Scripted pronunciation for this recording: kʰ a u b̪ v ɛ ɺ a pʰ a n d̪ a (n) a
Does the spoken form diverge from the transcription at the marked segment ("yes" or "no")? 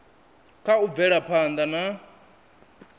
no